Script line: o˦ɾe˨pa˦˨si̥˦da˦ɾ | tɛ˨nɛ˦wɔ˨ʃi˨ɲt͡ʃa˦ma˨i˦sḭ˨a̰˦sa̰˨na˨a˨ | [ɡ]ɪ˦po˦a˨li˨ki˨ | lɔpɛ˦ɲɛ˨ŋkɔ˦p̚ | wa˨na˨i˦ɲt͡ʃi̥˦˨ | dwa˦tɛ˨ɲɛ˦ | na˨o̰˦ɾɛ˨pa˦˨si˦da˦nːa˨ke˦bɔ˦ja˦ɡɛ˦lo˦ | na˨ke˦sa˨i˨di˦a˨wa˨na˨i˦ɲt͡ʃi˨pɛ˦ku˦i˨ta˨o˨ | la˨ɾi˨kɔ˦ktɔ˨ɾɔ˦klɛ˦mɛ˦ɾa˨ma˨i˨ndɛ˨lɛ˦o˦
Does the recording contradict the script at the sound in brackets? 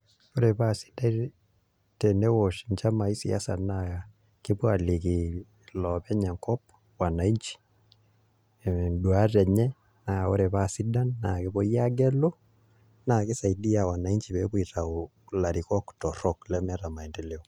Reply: yes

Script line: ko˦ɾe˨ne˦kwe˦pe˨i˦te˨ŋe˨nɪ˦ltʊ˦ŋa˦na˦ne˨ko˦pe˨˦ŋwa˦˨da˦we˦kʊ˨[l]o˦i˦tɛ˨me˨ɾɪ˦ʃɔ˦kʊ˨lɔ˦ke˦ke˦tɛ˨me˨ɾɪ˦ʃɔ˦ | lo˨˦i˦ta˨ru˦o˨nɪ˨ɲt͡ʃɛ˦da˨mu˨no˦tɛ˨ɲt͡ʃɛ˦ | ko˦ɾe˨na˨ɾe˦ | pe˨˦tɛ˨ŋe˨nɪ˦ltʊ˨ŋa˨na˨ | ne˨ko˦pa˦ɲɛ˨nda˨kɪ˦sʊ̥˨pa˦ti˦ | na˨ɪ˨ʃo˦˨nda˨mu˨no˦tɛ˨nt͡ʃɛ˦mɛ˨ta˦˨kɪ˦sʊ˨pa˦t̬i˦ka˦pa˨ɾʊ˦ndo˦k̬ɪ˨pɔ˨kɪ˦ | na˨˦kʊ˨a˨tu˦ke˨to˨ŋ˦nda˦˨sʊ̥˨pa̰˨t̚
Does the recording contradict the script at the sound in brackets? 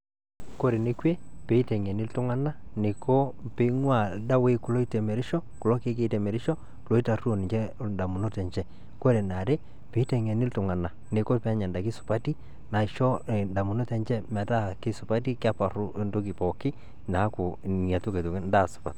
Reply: no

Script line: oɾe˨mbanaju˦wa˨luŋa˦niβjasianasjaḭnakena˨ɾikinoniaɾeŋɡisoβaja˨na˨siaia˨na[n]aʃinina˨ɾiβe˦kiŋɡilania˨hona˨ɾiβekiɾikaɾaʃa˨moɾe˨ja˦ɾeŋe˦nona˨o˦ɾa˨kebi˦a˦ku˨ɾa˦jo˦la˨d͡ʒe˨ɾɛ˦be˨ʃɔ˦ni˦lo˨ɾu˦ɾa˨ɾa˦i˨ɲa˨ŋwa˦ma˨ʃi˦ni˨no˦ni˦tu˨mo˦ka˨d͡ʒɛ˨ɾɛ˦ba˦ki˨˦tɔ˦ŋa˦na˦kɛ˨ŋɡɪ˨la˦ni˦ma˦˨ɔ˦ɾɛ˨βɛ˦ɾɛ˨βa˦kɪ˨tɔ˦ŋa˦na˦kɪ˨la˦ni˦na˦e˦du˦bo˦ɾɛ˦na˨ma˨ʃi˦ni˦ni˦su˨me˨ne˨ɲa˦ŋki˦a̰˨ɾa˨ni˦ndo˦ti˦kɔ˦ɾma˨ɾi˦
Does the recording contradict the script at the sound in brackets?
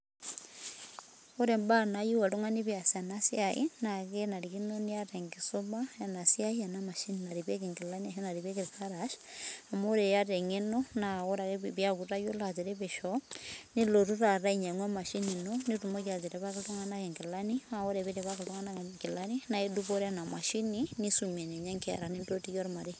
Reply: yes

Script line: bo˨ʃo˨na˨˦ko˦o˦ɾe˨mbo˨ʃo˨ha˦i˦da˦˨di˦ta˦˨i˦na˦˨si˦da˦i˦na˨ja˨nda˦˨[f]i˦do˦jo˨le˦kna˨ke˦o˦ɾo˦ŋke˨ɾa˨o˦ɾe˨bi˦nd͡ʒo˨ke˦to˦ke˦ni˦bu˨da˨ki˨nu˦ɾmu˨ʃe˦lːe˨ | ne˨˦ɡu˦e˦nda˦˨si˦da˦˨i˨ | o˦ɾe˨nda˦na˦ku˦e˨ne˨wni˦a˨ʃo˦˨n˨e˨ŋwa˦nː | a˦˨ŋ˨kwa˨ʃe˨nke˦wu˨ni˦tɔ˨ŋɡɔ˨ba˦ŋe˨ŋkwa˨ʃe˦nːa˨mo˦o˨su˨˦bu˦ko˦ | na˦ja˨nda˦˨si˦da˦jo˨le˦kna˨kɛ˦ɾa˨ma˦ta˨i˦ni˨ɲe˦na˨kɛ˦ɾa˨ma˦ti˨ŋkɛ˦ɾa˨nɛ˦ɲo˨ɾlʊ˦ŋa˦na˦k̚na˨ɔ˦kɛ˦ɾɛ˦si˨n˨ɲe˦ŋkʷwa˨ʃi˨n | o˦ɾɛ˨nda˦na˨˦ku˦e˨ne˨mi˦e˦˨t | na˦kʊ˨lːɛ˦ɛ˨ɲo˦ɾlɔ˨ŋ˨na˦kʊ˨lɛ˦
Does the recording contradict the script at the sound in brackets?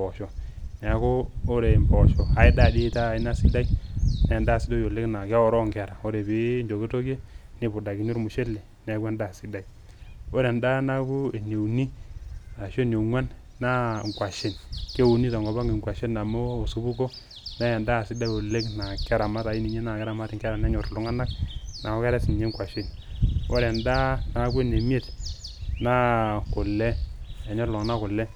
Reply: yes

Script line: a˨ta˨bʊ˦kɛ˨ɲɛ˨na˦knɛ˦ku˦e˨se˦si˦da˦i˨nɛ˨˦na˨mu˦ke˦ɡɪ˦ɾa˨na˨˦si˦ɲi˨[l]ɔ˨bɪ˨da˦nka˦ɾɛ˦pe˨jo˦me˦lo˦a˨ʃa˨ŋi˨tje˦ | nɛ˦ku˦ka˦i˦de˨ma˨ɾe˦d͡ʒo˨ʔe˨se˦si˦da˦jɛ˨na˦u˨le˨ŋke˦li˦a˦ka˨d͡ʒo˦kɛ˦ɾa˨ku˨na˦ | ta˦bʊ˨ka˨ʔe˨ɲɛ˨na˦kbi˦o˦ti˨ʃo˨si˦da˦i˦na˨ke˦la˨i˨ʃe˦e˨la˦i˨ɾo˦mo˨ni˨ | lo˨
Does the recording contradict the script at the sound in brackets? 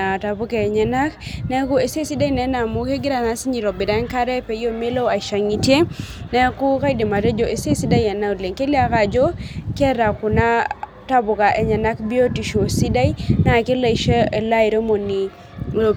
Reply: yes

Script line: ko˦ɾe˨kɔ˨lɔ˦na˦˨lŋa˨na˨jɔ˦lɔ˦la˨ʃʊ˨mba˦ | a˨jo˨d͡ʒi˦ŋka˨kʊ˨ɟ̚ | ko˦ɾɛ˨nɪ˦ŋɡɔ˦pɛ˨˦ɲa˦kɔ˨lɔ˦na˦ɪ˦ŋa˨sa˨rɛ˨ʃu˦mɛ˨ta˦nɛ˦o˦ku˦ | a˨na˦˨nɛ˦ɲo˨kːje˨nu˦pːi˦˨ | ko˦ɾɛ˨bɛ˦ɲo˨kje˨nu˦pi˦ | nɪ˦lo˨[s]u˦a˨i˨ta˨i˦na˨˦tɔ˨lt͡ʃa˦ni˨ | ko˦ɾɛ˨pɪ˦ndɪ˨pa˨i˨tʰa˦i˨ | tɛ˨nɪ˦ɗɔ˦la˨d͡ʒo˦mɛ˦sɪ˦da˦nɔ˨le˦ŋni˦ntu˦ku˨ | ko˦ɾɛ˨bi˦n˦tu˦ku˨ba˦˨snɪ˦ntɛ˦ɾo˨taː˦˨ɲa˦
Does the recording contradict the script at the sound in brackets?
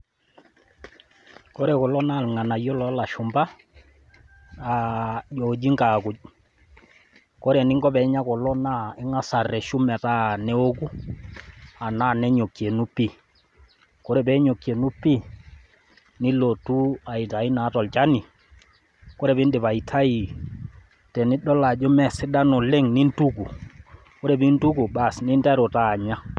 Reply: yes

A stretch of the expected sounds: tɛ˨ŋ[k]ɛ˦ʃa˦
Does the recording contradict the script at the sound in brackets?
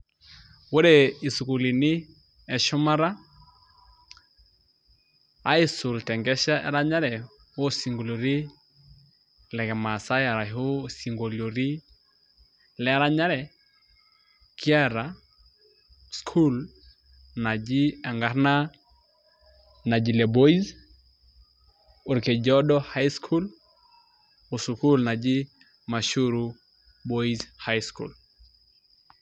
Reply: yes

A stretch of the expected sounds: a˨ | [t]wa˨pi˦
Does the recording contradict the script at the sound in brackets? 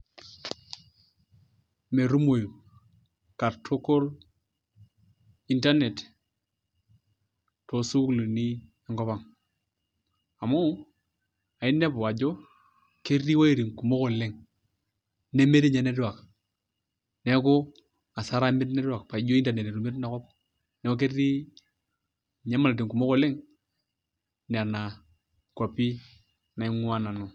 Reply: yes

